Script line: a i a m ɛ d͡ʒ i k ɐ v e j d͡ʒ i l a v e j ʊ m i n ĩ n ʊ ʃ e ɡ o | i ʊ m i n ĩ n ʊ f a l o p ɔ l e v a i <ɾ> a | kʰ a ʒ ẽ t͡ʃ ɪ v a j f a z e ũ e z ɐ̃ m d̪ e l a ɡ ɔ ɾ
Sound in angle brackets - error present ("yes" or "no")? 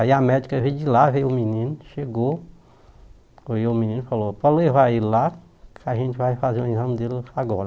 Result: yes